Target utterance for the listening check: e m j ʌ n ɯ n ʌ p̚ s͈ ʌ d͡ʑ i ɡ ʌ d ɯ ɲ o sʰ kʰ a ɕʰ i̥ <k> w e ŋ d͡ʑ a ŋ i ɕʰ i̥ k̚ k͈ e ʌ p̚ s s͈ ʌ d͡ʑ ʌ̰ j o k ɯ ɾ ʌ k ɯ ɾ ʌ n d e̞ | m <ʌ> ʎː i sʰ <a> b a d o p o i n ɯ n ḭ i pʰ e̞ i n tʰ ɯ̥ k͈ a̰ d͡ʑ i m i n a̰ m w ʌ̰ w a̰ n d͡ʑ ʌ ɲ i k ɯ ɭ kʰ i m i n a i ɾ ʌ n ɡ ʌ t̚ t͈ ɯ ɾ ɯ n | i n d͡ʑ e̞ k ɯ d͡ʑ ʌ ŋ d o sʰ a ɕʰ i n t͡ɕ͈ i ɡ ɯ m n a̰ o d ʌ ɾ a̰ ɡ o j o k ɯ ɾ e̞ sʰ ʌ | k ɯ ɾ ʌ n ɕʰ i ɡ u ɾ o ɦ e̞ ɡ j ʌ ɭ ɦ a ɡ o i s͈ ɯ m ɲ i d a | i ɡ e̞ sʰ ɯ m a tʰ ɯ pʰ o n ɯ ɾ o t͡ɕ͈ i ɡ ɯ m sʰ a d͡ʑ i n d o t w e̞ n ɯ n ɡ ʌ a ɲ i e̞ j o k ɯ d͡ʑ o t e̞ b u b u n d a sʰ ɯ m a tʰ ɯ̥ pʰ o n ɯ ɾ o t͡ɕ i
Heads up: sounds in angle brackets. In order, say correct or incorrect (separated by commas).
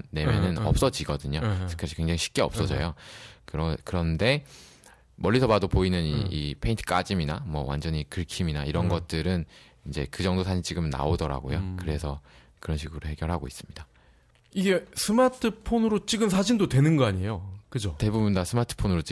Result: correct, correct, incorrect